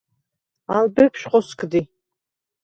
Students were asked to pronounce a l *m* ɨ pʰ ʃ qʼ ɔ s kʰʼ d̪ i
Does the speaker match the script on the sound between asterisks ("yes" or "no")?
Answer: no